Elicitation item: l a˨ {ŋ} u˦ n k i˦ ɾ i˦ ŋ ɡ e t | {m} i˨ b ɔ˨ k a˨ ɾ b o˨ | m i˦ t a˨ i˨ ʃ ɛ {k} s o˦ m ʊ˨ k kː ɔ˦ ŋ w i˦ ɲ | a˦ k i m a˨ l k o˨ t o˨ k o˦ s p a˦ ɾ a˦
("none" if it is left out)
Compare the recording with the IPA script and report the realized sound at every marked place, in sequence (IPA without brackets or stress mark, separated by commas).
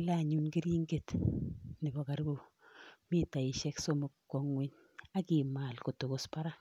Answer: ɲ, n, k